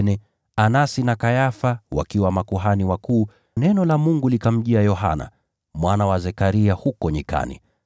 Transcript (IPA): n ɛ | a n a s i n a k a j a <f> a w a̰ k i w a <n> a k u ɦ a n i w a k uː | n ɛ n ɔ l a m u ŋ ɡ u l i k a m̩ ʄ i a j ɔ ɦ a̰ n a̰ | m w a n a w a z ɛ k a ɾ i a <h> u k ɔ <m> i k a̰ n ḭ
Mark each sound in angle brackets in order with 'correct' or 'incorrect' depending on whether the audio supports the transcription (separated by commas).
correct, incorrect, correct, incorrect